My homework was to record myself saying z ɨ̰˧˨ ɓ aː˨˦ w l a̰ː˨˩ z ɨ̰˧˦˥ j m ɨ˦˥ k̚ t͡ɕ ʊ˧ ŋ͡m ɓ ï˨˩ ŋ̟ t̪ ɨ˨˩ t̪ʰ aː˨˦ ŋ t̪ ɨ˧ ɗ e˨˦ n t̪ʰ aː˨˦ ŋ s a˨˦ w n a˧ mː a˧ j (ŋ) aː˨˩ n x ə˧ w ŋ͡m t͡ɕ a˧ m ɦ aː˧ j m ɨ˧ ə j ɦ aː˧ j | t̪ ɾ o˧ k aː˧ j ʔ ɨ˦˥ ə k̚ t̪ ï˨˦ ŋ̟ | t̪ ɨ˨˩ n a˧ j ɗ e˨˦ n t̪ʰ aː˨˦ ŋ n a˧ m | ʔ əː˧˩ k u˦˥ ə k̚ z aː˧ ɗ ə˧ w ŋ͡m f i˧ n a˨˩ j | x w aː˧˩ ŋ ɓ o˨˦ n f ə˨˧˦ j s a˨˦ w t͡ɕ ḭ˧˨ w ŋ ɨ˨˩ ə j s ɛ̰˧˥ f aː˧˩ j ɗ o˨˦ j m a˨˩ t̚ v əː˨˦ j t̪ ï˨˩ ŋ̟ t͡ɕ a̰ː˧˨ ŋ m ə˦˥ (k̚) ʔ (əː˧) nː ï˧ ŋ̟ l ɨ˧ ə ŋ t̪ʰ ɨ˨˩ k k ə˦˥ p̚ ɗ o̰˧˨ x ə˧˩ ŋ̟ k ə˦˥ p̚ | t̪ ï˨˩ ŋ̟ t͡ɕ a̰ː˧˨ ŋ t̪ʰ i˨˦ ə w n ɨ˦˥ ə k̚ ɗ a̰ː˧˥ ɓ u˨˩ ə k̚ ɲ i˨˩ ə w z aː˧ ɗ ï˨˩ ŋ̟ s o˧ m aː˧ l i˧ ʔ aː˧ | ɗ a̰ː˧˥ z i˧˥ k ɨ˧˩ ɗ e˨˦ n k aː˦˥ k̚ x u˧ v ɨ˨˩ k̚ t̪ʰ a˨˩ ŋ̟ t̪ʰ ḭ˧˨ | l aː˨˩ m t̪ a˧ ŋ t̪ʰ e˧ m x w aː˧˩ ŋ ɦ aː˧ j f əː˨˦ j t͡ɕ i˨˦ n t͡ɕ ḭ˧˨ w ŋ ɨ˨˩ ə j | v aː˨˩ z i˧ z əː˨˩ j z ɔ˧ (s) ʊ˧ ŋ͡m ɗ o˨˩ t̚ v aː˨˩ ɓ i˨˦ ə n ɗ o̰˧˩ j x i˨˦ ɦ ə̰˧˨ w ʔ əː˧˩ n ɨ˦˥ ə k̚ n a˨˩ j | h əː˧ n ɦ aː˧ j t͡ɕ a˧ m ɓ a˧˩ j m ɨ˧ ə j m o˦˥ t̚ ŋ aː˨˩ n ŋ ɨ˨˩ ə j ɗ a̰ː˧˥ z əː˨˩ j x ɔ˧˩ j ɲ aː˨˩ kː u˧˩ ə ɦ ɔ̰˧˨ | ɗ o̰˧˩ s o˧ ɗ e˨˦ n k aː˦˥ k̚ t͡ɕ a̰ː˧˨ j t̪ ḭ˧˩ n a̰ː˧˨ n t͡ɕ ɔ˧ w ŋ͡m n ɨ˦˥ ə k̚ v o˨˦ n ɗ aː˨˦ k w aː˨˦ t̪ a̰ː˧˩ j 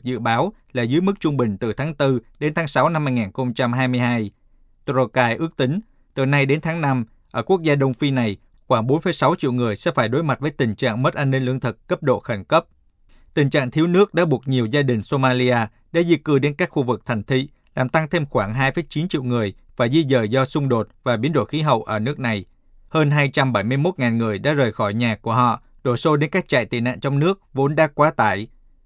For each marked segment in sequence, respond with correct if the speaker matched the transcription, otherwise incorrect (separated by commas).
correct, incorrect, incorrect, correct